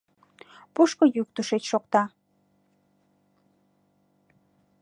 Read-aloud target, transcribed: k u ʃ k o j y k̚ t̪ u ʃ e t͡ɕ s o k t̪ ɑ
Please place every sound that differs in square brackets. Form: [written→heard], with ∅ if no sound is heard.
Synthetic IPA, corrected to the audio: [k→p] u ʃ k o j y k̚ t̪ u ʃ e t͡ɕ [s→ʃ] o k t̪ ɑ